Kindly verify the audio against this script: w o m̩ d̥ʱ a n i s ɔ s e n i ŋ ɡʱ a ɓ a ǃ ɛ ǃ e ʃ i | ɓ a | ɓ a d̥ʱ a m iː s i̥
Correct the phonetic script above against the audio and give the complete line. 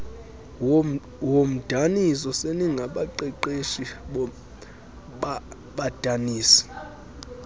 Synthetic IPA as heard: w o m̩ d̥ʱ a n i s ɔ s e n i ŋ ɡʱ a ɓ a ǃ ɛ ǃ e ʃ i | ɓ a | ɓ a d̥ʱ a n iː s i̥

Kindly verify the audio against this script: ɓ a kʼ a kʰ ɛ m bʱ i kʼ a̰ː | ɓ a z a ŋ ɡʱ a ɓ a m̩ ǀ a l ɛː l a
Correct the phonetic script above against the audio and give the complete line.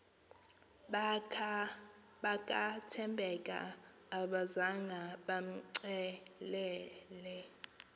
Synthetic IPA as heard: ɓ a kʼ a tʰ ɛ m bʱ ɛ kʼ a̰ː | ɓ a z a ŋ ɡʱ a ɓ a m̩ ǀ ɛ l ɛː l ɛ

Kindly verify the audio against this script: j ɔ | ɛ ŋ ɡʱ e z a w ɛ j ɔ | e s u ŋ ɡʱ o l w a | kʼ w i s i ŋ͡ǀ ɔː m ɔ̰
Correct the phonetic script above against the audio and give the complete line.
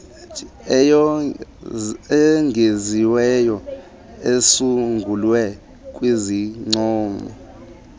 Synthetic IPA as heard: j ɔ | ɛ ŋ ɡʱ e z i w ɛ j ɔ | e s u ŋ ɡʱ u l w ɛ | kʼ w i z i ŋ͡ǀ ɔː m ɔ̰

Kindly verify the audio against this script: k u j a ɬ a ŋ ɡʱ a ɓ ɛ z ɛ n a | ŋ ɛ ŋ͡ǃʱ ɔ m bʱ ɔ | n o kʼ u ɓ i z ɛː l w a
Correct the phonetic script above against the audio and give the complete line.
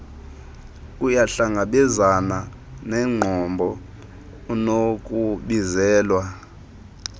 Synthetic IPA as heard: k u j a ɬ a ŋ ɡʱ a ɓ ɛ z a n a | n ɛ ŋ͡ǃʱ ɔ m bʱ ɔ | n o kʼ u ɓ i z ɛː l w a

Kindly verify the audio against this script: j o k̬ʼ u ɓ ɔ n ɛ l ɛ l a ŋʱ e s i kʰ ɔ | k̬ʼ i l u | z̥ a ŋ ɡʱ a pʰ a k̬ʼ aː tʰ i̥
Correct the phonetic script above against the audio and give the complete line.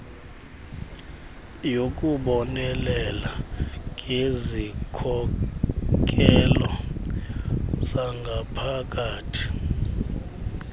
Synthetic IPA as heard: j o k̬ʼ u ɓ ɔ n ɛ l ɛ l a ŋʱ e z i kʰ ɔ | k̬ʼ ɛ l ɔ | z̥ a ŋ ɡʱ a pʰ a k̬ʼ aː tʰ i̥

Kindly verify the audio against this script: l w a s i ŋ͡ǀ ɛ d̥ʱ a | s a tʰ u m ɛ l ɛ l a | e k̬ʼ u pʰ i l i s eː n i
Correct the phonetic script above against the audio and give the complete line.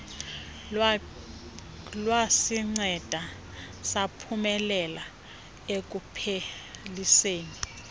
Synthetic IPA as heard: l w a s i ŋ͡ǀ ɛ d̥ʱ a | s a pʰ u m ɛ l ɛ l a | e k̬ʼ u pʰ e l i s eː n i

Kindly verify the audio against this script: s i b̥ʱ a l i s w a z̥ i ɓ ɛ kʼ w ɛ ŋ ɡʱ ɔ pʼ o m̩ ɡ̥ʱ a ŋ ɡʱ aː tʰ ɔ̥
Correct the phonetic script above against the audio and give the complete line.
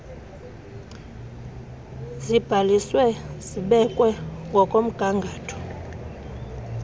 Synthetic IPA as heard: z i b̥ʱ a l i s w ɛ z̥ i ɓ ɛ kʼ w ɛ ŋ ɡʱ ɔ kʼ o m̩ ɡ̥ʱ a ŋ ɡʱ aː tʰ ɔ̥

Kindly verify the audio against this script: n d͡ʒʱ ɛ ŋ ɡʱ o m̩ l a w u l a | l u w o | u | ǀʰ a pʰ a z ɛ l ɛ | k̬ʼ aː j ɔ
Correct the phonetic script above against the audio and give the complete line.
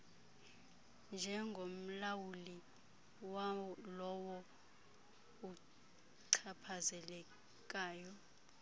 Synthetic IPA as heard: n d͡ʒʱ ɛ ŋ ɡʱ o m̩ l a w u l i | l ɔ w ɔ | u | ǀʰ a pʰ a z ɛ l ɛ | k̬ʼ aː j ɔ

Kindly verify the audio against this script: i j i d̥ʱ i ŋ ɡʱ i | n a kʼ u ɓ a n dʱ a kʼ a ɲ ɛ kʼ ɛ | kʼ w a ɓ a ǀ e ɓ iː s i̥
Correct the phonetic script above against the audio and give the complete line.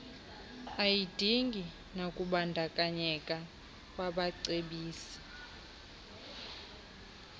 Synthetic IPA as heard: a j i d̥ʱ i ŋ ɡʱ i | n a kʼ u ɓ a n dʱ a kʼ a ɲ ɛ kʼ a | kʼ w a ɓ a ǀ e ɓ iː s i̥

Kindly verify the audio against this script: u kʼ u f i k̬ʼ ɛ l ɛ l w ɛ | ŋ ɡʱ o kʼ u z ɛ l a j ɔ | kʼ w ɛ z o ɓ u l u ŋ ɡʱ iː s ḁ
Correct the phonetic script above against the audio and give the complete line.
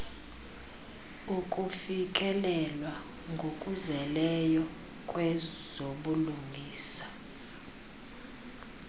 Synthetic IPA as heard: u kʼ u f i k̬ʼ ɛ l ɛ l w a | ŋ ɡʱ o kʼ u z ɛ l ɛ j ɔ | kʼ w ɛ z o ɓ u l u ŋ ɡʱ iː s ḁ

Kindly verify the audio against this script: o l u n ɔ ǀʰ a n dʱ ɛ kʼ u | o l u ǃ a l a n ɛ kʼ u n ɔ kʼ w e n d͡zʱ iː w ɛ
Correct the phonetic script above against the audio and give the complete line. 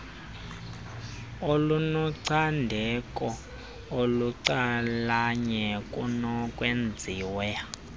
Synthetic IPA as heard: o l u n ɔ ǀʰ a n dʱ ɛ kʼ ɔ | o l u ǀ a l a ɲ ɛ kʼ u n ɔ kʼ w e n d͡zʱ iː w ɛ

